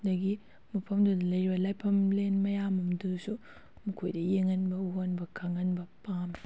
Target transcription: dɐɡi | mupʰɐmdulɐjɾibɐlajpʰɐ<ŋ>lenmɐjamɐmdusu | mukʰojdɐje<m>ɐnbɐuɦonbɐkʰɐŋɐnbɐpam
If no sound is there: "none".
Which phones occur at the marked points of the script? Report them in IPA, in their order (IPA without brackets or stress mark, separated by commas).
m, ŋ